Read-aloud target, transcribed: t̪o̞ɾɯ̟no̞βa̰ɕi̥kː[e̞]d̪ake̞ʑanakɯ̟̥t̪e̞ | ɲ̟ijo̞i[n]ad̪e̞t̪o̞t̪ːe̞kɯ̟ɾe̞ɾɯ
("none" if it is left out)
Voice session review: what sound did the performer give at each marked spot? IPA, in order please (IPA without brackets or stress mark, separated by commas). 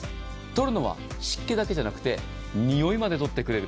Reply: e̞, m